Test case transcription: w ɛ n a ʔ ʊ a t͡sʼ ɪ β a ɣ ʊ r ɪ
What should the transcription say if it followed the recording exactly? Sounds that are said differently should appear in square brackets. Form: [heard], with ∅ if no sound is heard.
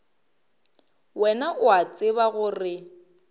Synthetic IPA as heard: w ɛ n a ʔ ʊ a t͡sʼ ɪ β a ɣ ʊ r ɪ